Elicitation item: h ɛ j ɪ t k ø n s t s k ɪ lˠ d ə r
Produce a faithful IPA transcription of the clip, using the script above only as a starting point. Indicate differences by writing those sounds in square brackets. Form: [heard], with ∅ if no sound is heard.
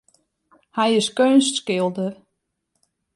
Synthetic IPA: h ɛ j ɪ [s] k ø n s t s k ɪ lˠ d ə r